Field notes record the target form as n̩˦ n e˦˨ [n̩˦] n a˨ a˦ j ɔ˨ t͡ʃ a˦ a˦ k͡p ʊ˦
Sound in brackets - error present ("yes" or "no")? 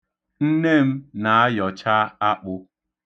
yes